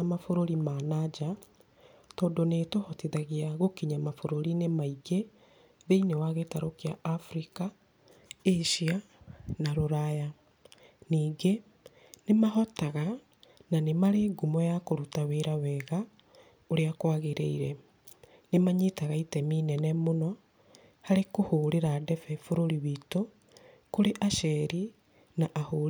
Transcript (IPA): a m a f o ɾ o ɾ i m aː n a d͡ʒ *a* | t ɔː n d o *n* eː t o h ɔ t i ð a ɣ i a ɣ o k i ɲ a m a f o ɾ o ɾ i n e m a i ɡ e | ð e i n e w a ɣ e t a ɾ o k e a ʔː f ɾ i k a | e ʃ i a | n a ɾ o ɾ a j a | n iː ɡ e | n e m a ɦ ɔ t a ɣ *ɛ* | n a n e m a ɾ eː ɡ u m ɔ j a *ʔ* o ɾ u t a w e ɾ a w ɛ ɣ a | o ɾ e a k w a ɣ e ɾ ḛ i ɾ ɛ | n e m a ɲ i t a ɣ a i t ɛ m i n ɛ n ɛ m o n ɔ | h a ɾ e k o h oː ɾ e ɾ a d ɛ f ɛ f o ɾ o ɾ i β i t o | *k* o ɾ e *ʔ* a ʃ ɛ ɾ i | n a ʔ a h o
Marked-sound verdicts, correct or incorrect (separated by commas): correct, correct, incorrect, incorrect, correct, correct